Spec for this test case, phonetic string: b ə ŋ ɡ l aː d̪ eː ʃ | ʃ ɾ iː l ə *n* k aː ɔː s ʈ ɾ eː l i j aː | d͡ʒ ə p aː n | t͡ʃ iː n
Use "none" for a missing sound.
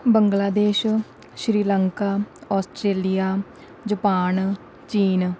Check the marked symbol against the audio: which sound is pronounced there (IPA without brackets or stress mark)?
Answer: ŋ